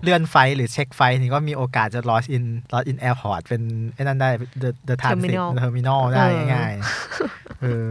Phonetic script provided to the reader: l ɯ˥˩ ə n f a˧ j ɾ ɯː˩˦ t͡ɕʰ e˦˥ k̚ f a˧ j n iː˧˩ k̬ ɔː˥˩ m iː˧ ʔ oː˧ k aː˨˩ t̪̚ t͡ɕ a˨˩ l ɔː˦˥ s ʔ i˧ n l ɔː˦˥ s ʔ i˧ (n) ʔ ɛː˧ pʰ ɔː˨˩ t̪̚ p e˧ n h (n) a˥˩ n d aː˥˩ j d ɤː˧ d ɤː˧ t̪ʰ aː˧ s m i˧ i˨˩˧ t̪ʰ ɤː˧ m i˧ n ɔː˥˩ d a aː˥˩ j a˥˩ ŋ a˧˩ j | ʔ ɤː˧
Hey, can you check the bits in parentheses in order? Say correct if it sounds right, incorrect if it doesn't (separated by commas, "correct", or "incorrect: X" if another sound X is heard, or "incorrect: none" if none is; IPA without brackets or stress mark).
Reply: correct, correct